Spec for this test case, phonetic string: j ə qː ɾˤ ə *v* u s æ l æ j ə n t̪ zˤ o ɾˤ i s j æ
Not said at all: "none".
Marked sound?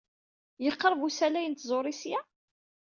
v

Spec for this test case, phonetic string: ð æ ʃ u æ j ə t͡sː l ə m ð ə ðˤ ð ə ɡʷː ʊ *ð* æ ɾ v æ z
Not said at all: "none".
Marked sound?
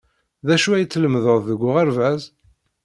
ʁ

